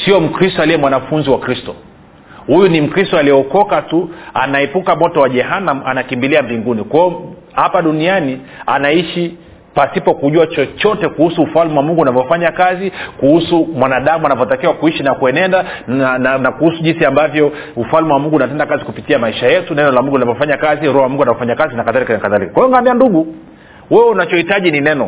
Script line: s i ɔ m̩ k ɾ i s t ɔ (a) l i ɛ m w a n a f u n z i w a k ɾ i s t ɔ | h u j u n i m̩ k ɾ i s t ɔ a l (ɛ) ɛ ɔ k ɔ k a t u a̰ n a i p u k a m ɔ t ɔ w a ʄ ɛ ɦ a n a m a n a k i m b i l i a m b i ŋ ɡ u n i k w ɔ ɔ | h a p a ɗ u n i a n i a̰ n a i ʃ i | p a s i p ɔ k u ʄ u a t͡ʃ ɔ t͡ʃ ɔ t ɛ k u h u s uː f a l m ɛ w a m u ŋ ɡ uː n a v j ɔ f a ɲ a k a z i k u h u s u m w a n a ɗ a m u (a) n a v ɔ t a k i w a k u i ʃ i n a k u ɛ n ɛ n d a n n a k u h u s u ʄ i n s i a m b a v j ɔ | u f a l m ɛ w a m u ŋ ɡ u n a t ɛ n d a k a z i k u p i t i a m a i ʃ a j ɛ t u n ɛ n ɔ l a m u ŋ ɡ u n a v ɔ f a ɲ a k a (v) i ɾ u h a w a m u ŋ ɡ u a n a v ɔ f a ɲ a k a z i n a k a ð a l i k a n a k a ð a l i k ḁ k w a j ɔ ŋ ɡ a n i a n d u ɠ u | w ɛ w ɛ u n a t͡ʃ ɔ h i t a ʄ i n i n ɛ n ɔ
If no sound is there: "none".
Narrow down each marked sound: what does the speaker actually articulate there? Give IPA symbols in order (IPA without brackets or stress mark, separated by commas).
a, i, a, z